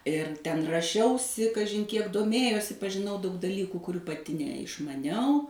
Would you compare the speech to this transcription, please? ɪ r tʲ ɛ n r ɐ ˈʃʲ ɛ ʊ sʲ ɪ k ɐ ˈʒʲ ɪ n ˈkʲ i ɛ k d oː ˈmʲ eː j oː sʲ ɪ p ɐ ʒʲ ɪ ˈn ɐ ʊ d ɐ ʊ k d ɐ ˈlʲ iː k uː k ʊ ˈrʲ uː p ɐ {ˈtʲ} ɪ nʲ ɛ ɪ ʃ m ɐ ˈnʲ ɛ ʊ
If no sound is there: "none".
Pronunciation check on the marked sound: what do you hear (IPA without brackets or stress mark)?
tʲ